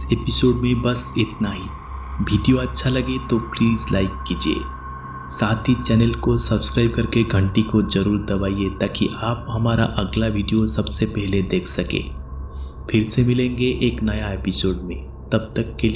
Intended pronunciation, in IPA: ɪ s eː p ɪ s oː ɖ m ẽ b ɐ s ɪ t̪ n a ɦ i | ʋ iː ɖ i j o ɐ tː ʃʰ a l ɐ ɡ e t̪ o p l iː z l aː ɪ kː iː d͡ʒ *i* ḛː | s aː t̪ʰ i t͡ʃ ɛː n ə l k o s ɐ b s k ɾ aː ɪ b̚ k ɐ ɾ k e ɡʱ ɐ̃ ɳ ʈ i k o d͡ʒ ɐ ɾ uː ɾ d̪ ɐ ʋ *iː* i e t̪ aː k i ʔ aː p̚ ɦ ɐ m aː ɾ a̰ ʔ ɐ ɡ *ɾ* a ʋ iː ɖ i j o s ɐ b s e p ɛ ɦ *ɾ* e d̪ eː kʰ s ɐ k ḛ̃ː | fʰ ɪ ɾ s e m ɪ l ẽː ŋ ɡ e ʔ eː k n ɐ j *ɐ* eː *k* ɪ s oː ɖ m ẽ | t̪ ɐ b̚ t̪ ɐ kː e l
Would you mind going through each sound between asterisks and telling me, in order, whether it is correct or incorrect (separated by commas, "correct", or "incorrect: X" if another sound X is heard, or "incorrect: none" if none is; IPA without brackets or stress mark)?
correct, incorrect: aː, incorrect: l, incorrect: l, incorrect: a, incorrect: p